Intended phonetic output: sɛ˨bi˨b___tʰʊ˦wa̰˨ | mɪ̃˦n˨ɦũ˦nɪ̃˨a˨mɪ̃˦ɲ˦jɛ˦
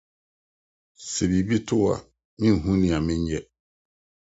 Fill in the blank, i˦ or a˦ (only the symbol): i˦